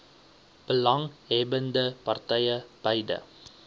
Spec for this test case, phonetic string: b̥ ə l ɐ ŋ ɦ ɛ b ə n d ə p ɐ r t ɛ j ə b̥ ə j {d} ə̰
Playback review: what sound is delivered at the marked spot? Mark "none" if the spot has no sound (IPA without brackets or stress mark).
d